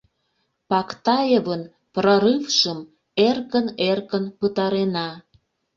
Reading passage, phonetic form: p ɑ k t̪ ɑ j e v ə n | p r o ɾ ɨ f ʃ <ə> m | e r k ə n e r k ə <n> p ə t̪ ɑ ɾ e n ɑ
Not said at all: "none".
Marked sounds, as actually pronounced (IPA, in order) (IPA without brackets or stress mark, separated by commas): ə, n